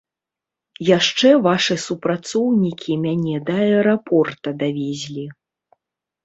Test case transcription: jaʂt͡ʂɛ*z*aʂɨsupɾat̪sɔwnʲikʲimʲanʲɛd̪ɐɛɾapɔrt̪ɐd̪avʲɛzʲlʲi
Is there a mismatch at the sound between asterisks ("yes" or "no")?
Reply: yes